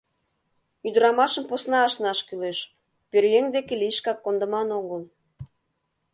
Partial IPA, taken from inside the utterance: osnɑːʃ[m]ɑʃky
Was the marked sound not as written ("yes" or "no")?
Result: yes